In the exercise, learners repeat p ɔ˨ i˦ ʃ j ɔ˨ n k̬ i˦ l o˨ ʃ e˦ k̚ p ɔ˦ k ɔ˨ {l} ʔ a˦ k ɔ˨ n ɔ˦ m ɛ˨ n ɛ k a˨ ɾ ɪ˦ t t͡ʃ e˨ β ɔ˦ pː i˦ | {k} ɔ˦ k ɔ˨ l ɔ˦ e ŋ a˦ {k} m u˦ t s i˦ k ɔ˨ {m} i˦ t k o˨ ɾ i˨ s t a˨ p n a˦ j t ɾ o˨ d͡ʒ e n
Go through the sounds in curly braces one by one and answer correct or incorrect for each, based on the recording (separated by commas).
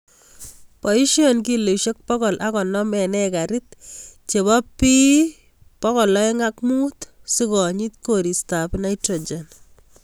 correct, incorrect, correct, incorrect